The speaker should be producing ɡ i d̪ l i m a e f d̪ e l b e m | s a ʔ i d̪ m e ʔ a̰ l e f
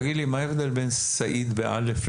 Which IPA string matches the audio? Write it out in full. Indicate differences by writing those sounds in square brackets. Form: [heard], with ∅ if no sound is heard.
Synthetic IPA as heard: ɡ i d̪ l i m a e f d̪ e l b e [n] | s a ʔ i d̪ [b] e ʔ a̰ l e f